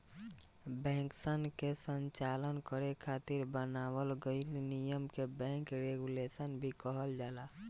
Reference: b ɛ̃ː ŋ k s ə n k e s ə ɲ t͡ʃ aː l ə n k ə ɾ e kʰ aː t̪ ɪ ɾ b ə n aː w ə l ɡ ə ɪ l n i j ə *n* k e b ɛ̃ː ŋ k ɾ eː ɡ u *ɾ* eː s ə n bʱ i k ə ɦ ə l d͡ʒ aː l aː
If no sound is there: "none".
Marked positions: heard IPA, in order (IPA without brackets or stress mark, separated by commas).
m, l